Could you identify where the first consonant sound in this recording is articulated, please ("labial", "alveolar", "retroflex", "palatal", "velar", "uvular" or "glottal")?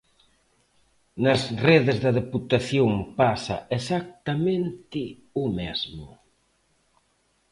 alveolar